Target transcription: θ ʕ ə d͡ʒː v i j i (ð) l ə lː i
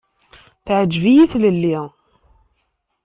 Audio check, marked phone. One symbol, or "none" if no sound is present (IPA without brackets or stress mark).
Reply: θ